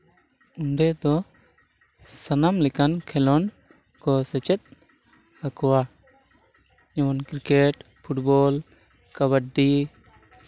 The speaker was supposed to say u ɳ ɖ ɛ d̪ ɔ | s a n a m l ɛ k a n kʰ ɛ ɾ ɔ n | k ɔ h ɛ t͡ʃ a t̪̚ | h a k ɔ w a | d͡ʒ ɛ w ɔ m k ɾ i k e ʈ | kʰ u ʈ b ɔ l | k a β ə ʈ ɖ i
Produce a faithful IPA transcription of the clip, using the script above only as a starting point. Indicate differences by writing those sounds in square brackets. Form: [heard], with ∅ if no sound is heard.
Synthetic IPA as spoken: u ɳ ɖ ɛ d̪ ɔ | s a n a m l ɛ k a n kʰ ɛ [l] ɔ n | k ɔ [s] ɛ t͡ʃ [ɛ] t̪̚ | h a k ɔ w a | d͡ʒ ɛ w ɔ [n] k ɾ i k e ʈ | [pʰ] u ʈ b ɔ l | k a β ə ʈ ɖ i

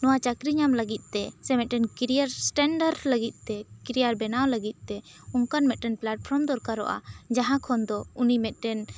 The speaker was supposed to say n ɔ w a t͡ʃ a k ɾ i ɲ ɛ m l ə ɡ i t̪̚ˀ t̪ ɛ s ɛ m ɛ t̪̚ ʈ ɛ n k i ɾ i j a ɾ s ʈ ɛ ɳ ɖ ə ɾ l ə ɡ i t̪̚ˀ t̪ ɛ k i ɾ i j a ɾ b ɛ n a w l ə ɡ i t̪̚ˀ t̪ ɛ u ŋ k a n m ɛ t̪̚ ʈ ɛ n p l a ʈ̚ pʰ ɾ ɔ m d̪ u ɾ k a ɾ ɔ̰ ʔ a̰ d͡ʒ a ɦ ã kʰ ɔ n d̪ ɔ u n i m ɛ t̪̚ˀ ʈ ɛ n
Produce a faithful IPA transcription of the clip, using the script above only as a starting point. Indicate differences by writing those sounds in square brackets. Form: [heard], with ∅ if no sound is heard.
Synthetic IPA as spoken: n ɔ w a t͡ʃ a k ɾ i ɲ [a] m l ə ɡ i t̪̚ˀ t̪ ɛ s ɛ m ɛ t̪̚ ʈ ɛ n k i ɾ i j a ɾ s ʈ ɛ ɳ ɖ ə ɾ l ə ɡ i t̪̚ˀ t̪ ɛ k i ɾ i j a ɾ b ɛ n a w l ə ɡ i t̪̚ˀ t̪ ɛ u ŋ k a n m ɛ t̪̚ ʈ ɛ n p l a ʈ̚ pʰ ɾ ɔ m d̪ [ɔ] ɾ k a ɾ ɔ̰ ʔ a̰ d͡ʒ a ɦ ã kʰ ɔ n d̪ ɔ u n i m ɛ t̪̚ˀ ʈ ɛ n

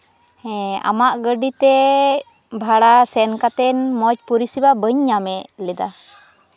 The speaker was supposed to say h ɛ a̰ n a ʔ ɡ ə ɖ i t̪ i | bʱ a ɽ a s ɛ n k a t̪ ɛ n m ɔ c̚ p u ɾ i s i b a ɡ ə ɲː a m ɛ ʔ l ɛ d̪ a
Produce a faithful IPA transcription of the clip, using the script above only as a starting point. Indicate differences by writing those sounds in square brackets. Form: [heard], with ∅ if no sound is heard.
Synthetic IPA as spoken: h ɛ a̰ [m] a ʔ ɡ ə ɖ i t̪ [ɛ] | bʱ a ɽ a s ɛ n k a t̪ ɛ n m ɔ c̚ p u ɾ i s i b a [b] ə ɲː a m ɛ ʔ l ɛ d̪ a

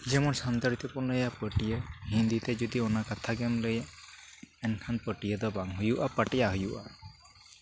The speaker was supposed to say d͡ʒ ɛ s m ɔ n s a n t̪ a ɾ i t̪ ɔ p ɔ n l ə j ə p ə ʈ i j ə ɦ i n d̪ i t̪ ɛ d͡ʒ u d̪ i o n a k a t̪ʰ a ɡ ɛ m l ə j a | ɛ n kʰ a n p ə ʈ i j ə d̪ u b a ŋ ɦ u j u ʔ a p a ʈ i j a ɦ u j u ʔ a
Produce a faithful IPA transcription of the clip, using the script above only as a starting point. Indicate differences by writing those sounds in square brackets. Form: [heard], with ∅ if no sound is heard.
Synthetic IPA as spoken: d͡ʒ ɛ [∅] m ɔ n s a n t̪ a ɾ i t̪ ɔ p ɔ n l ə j [a] p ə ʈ i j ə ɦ i n d̪ i t̪ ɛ d͡ʒ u d̪ i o n a k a t̪ʰ a ɡ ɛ m l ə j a | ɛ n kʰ a n p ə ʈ i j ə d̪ [ɔ] b a ŋ ɦ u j u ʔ a p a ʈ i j a ɦ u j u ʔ a

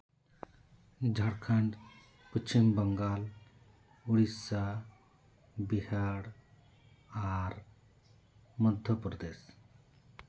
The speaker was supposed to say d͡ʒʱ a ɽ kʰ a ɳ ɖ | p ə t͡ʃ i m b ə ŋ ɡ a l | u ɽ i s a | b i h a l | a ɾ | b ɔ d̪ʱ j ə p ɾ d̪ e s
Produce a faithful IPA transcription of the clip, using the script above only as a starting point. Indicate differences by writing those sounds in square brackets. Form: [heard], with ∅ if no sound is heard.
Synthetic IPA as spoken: d͡ʒʱ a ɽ kʰ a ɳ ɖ | p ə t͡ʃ i m b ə ŋ ɡ a l | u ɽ i s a | b i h a [ɽ] | a ɾ | [m] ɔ d̪ʱ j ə p ɾ d̪ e s

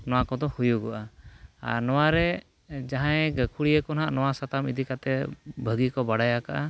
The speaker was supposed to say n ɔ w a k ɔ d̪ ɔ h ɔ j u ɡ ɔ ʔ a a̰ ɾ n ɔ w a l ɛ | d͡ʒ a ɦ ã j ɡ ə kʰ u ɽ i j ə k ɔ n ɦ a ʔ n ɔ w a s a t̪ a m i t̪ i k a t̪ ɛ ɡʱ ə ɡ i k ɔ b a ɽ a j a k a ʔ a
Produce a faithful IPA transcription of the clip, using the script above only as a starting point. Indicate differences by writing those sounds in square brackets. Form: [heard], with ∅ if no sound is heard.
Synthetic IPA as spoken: n ɔ w a k ɔ d̪ ɔ h [u] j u ɡ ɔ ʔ a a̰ ɾ n ɔ w a [ɾ] ɛ | d͡ʒ a ɦ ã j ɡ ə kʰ u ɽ i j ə k ɔ n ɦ a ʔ n ɔ w a s a t̪ a m i [d̪] i k a t̪ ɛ [bʱ] ə ɡ i k ɔ b a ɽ a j a k a ʔ a

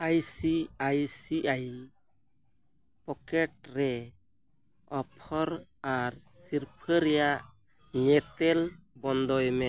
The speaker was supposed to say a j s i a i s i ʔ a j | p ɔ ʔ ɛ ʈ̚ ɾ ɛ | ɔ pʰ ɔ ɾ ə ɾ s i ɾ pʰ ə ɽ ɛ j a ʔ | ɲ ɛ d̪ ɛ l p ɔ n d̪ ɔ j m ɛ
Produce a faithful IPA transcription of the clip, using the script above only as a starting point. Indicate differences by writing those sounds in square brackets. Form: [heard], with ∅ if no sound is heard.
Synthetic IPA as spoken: a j s i a [j] s i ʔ a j | p ɔ [k] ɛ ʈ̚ ɾ ɛ | ɔ pʰ ɔ ɾ [a] ɾ s i ɾ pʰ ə [ɾ] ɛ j a ʔ | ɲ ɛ [t̪] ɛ l [b] ɔ n d̪ ɔ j m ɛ

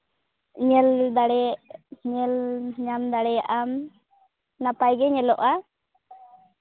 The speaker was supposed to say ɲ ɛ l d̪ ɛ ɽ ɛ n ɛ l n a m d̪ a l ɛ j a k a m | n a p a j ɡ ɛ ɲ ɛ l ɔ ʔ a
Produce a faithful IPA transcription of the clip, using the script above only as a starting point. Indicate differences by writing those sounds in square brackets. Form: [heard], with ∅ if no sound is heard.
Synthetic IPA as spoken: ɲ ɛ l d̪ [a] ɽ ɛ [ɲ] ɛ l [ɲ] a m d̪ a [ɽ] ɛ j a [ʔ] a m | n a p a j ɡ ɛ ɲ ɛ l ɔ ʔ a

